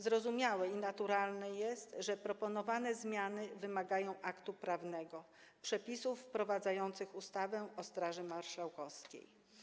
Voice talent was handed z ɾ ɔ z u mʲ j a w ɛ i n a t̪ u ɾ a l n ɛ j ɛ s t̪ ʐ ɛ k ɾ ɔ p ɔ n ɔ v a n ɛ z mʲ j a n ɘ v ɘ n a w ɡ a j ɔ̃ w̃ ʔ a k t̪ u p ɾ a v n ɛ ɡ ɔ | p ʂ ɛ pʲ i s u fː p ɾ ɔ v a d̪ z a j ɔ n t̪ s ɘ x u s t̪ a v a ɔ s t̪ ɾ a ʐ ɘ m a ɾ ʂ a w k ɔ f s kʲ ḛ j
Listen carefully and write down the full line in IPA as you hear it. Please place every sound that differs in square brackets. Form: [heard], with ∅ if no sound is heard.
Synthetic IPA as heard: z ɾ ɔ z u mʲ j a w ɛ i n a t̪ u ɾ a l n ɛ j ɛ s t̪ ʐ ɛ [p] ɾ ɔ p ɔ n ɔ v a n ɛ z mʲ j a n ɘ v ɘ [m] a [∅] ɡ a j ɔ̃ w̃ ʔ a k t̪ u p ɾ a v n ɛ ɡ ɔ | p ʂ ɛ pʲ i s u fː p ɾ ɔ v a d̪ z a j ɔ n t̪ s ɘ x u s t̪ a v [ɛ] ɔ s t̪ ɾ a ʐ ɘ m a ɾ ʂ a w k ɔ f s kʲ ḛ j